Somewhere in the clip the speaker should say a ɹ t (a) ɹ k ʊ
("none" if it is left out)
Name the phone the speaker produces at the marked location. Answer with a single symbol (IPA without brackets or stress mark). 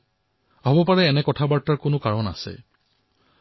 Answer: a